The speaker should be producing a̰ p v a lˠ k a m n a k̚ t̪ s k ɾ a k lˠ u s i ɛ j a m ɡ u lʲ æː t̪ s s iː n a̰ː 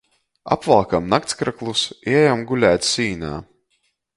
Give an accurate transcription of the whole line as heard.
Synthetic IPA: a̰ p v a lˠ k a m n a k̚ t̪ s k ɾ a k lˠ u s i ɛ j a m ɡ u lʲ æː t̪ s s iː n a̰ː

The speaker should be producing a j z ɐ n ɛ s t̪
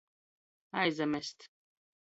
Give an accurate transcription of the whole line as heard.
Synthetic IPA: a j z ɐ m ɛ s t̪

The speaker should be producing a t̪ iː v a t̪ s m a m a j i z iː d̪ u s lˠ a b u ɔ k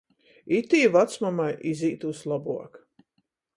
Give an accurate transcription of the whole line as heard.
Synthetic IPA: i t̪ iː v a t̪ s m a m a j i z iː t̪ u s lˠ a b u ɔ k

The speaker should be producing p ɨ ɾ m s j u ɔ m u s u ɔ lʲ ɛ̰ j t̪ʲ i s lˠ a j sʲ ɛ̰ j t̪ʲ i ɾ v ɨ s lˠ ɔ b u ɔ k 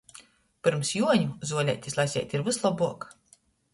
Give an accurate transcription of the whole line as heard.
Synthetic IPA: p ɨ ɾ m s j u ɔ ɲ u z u ɔ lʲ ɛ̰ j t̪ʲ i s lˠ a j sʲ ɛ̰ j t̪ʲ i ɾ v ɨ s lˠ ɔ b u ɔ k

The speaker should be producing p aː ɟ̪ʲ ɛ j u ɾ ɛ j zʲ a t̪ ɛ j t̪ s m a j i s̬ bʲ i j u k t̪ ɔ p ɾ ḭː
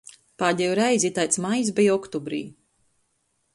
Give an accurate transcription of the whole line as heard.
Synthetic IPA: p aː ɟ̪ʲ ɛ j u ɾ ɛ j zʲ i t̪ a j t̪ s m a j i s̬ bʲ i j ɔ k t̪ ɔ b ɾ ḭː

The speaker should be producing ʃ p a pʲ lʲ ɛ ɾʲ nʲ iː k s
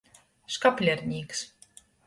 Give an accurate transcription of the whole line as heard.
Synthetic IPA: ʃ k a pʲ lʲ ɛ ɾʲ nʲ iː k s

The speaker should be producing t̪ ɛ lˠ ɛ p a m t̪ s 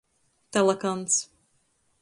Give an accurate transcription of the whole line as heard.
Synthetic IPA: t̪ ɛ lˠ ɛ k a n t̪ s

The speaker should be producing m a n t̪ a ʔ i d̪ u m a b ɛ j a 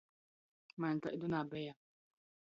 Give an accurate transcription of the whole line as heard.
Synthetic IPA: m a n t̪ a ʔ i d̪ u n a b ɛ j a

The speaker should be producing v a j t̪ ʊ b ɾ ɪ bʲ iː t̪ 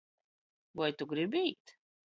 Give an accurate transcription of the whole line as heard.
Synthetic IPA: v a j t̪ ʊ ɡ ɾ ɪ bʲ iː t̪

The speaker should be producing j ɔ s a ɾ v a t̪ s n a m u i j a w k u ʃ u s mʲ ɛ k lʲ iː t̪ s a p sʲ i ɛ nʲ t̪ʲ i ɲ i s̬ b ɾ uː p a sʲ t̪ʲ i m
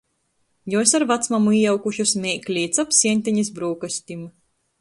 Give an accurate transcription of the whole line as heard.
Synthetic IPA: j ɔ s a ɾ v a t̪ s m a m u i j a w k u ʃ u s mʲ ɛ k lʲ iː t̪ s a p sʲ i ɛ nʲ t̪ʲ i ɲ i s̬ b ɾ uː k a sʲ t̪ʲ i m

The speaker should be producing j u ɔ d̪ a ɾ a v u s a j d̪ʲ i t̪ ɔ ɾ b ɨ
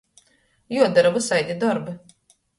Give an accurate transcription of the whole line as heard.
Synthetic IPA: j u ɔ d̪ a ɾ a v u s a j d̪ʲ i d̪ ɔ ɾ b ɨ

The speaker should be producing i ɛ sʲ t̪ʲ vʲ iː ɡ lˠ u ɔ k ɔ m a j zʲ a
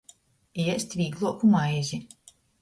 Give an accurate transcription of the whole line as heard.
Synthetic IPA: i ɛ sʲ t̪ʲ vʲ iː ɡ lˠ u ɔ k u m a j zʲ i

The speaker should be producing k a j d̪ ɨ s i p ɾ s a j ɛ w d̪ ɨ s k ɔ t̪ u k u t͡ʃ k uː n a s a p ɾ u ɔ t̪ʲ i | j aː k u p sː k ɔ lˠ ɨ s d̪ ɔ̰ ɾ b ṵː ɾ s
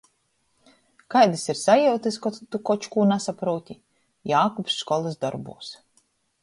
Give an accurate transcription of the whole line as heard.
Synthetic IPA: k a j d̪ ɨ s i ɾ s a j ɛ w t̪ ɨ s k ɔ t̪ u k ɔ t͡ʃ k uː n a s a p ɾ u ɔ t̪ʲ i | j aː k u p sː k ɔ lˠ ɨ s d̪ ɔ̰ ɾ b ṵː s

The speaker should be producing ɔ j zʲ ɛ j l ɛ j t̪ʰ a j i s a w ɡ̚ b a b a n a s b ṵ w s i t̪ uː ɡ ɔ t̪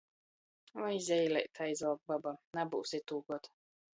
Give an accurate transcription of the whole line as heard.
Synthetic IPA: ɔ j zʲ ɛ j l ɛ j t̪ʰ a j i z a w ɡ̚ b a b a n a b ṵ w s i t̪ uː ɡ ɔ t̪

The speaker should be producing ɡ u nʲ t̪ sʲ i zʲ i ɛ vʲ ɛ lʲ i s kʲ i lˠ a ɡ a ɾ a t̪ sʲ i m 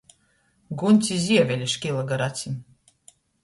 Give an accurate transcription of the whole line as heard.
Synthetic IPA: ɡ u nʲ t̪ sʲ i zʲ i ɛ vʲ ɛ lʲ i ʃ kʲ i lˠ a ɡ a ɾ a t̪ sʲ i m

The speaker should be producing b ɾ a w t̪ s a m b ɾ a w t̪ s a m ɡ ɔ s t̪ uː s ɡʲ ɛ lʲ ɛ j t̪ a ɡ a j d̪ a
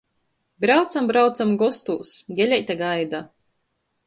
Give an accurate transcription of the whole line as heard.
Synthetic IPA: b ɾ a w t̪ s a m b ɾ a w t̪ s a m ɡ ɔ s t̪ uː s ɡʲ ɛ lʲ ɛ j t̪ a ɡ a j d̪ a

